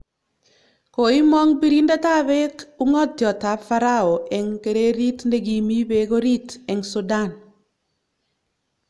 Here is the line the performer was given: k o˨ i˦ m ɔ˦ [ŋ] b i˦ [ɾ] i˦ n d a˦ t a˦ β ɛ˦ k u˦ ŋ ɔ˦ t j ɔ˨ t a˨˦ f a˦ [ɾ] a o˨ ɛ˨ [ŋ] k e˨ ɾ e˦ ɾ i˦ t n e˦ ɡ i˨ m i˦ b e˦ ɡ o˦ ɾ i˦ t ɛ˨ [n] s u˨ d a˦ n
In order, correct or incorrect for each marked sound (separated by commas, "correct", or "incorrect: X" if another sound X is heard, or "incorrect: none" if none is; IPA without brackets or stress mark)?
correct, correct, correct, correct, incorrect: ŋ